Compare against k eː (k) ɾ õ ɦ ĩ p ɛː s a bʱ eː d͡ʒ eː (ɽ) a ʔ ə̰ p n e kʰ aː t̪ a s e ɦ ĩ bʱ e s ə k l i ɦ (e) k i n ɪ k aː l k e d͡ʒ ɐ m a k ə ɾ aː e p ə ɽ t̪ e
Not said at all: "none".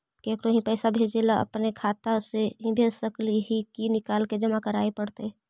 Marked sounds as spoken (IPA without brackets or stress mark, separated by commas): k, l, i